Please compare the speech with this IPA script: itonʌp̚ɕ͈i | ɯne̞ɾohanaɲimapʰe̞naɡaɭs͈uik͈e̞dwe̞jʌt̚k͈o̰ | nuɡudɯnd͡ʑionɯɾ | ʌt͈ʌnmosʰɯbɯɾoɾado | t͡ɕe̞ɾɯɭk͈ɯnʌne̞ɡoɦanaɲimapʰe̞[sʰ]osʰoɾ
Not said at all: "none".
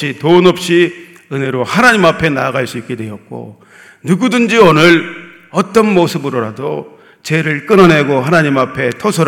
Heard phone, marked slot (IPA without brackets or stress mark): tʰ